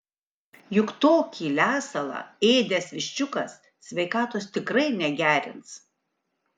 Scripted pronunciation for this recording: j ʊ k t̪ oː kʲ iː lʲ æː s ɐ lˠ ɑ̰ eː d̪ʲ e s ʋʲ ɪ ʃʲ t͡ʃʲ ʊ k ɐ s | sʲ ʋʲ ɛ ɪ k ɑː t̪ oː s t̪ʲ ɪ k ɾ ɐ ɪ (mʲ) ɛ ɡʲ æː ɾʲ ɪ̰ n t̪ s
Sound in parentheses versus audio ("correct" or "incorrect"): incorrect